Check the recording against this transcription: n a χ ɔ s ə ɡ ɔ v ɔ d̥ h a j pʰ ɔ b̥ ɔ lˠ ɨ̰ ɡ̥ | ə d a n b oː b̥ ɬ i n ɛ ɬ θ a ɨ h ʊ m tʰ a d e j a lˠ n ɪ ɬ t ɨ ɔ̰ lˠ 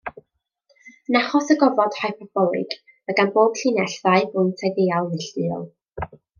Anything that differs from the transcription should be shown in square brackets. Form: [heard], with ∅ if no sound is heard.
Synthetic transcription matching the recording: n a χ ɔ s ə ɡ ɔ v ɔ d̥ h a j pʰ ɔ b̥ ɔ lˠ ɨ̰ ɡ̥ | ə [ɡ] a n b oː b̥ ɬ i n ɛ ɬ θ a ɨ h ʊ [n] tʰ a d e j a lˠ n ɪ ɬ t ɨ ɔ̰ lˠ